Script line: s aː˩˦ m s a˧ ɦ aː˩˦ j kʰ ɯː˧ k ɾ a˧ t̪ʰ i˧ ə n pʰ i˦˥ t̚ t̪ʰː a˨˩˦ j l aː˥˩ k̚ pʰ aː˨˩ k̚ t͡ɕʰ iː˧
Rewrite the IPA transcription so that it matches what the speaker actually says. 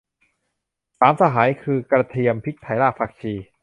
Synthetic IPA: s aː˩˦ m s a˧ ɦ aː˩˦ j kʰ ɯː˧ k ɾ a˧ t̪ʰ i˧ ə m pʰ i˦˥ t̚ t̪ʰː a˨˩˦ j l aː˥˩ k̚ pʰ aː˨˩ k̚ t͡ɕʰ iː˧